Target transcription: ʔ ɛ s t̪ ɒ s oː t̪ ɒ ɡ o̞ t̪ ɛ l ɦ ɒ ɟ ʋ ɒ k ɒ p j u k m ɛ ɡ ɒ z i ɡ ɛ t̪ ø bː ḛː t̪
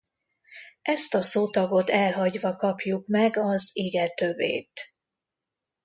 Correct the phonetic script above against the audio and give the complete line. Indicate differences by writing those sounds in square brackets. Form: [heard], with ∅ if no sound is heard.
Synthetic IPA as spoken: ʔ ɛ s t̪ ɒ s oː t̪ ɒ ɡ o̞ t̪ ɛ l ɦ ɒ ɟ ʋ ɒ k ɒ p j u k m ɛ ɡ ɒ z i ɡ ɛ t̪ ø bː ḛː t̪

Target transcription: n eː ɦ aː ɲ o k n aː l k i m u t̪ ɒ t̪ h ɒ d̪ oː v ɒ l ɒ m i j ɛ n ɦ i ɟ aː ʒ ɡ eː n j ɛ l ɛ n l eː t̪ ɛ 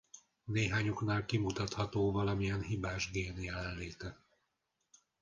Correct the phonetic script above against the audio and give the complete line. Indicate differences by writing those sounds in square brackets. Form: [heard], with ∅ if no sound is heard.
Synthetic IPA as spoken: n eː ɦ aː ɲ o k n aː l k i m u t̪ ɒ t̪ h ɒ [t̪] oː v ɒ l ɒ m i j ɛ n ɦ i [b] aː ʒ ɡ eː n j ɛ l ɛ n l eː t̪ ɛ

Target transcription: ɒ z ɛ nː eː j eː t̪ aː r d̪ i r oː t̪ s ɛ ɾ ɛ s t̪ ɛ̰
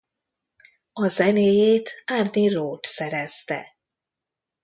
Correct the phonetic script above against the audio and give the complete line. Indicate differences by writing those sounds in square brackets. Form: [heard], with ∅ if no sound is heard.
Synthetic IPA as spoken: ɒ z ɛ [n] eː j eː t̪ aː r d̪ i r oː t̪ s ɛ ɾ ɛ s t̪ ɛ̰

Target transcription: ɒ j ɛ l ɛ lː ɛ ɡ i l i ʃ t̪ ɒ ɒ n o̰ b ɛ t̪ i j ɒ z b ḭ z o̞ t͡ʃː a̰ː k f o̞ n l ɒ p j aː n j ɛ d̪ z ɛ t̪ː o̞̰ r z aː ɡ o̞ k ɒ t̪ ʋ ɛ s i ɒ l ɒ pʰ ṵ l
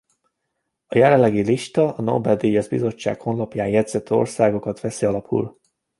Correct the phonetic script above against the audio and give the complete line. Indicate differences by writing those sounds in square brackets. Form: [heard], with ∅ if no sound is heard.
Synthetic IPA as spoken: ɒ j ɛ l ɛ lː ɛ ɡ i l i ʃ t̪ ɒ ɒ n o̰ b ɛ [d̪] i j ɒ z b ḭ z o̞ t͡ʃː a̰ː k [h] o̞ n l ɒ p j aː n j ɛ d̪ z ɛ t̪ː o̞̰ r [s] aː ɡ o̞ k ɒ t̪ ʋ ɛ s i ɒ l ɒ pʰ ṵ l

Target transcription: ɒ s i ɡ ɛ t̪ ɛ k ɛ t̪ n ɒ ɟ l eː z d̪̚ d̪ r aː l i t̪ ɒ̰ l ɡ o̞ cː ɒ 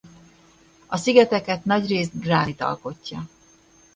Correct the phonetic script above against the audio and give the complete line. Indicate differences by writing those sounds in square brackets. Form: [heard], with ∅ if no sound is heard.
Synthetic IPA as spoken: ɒ s i ɡ ɛ t̪ ɛ k ɛ t̪ n ɒ ɟ [r] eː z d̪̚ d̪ r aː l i t̪ ɒ̰ l [k] o̞ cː ɒ

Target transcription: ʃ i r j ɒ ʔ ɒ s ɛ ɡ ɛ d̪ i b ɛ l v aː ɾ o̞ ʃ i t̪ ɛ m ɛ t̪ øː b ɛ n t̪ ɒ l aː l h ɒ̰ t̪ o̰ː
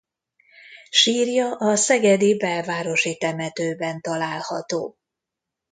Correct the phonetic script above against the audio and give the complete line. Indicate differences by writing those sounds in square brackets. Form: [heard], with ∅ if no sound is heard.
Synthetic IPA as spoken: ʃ [iː] r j ɒ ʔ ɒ s ɛ ɡ ɛ d̪ i b ɛ l v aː ɾ o̞ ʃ i t̪ ɛ m ɛ t̪ øː b ɛ n t̪ ɒ l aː l h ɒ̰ t̪ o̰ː

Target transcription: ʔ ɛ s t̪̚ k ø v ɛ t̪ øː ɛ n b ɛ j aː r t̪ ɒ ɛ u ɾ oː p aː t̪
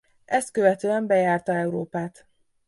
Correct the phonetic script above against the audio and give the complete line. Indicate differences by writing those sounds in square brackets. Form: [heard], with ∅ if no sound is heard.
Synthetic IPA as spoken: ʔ ɛ s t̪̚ k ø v ɛ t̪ øː ɛ [m] b ɛ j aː r t̪ ɒ ɛ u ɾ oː p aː t̪

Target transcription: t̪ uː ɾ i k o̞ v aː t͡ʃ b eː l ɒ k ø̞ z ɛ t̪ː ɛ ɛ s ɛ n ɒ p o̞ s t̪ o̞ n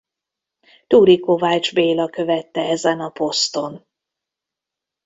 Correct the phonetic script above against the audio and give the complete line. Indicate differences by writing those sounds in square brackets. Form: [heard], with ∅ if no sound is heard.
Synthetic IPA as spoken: t̪ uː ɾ i k o̞ v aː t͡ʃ b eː l ɒ k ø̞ [v] ɛ t̪ː ɛ ɛ [z] ɛ n ɒ p o̞ s t̪ o̞ n

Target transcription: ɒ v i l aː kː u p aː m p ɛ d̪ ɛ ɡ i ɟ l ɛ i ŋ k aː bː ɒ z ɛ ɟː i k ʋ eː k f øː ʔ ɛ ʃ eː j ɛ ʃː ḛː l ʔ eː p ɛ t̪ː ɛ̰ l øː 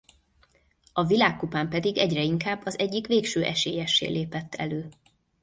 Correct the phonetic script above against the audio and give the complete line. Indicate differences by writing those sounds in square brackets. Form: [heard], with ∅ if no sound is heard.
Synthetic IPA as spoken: ɒ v i l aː kː u p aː m p ɛ d̪ [i] ɡ [ɛ] ɟ [r] ɛ i ŋ k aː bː ɒ z ɛ ɟː i k ʋ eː k [ʃ] øː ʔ ɛ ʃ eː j ɛ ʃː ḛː l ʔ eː p ɛ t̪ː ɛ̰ l øː

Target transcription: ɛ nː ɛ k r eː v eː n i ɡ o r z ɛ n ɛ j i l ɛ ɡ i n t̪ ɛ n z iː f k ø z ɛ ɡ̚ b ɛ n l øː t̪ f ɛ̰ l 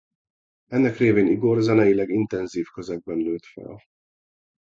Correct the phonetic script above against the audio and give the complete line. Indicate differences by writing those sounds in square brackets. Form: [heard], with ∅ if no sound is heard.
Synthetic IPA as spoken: ɛ nː ɛ k r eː v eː n i ɡ o r z ɛ n ɛ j i l ɛ ɡ i n t̪ ɛ n z iː f k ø z ɛ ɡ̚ b ɛ n l øː t̪ f ɛ̰ l

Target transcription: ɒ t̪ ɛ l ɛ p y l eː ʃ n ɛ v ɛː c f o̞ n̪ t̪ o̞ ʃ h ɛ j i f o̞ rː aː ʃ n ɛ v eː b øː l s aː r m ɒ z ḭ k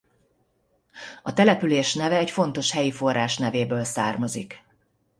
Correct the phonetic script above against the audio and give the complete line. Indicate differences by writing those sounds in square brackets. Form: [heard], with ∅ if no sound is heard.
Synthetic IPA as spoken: ɒ t̪ ɛ l ɛ p y l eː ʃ n ɛ v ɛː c f o̞ n̪ t̪ o̞ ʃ h ɛ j i f o̞ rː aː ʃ n ɛ v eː b øː l s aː r m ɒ z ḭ k

